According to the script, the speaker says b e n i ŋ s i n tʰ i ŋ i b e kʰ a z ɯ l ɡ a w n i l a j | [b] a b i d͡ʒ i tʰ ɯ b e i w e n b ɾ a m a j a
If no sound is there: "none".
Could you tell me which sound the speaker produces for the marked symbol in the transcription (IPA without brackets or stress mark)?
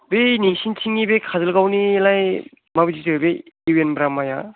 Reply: m